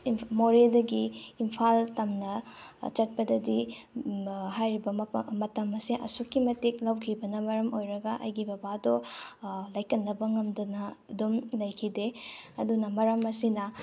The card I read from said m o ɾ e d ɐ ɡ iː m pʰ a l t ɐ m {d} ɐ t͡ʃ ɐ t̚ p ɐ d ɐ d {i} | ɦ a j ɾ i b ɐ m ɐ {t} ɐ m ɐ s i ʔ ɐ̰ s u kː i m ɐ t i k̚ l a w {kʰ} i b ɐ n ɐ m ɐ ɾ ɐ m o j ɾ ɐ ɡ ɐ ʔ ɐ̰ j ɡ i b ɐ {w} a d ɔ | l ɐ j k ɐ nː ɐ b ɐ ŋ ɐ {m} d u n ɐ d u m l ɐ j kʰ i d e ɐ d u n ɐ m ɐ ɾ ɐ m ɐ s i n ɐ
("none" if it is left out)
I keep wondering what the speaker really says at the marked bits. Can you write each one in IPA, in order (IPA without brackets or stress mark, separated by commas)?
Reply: n, i, t, kʰ, b, m